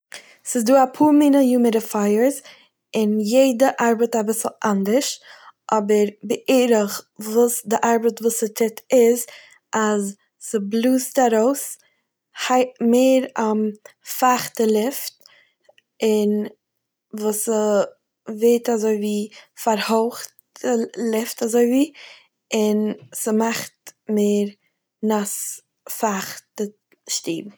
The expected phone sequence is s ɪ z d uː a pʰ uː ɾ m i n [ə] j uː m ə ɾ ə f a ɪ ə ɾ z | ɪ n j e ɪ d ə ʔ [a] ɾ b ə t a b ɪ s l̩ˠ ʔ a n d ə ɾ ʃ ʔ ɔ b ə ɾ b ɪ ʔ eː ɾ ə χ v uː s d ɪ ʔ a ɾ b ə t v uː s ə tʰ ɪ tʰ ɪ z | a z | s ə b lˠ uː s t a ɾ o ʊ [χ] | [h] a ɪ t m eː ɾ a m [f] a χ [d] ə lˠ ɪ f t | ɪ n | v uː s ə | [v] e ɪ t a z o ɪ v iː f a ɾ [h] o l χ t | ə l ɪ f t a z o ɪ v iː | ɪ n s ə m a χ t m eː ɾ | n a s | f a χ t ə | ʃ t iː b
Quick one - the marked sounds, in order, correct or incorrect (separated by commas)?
correct, correct, incorrect, correct, correct, incorrect, correct, correct